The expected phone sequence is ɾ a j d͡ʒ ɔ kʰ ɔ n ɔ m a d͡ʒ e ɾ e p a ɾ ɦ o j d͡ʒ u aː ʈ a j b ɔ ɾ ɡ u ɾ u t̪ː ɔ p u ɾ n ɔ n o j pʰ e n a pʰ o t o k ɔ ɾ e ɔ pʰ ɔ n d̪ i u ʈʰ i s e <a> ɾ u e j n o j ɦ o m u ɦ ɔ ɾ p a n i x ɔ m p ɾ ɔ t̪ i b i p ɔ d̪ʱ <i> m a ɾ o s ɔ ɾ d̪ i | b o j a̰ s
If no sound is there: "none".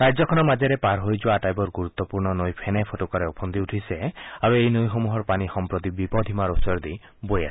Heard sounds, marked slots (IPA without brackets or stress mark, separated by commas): a, i